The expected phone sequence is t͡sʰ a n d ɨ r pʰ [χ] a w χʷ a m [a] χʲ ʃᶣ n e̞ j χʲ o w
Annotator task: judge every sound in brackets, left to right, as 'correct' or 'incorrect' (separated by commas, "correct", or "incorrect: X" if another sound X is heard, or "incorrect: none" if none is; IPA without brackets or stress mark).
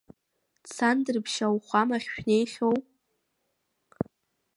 incorrect: ʃ, correct